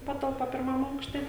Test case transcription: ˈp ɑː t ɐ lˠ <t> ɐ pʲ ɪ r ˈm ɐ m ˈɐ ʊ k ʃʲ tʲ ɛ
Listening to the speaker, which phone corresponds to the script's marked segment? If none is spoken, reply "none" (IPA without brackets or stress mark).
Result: p